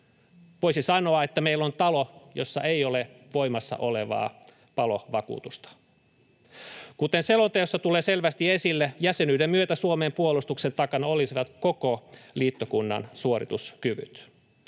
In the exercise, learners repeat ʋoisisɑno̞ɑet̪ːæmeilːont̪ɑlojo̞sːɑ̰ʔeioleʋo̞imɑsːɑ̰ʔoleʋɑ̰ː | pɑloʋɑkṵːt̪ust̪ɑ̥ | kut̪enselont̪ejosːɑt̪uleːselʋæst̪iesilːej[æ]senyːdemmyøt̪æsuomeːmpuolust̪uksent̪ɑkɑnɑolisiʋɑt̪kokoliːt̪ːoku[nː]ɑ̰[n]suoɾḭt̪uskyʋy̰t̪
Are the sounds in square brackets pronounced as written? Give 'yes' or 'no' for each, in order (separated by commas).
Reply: yes, yes, yes